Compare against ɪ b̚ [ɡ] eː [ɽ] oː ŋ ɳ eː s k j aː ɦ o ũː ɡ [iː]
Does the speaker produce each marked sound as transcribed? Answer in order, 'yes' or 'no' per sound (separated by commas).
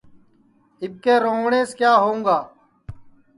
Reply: no, no, no